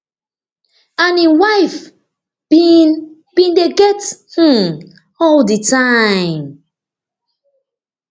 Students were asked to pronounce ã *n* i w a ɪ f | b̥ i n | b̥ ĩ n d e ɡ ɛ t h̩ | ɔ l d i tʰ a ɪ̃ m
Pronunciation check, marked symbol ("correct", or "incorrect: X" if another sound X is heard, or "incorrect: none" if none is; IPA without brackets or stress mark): correct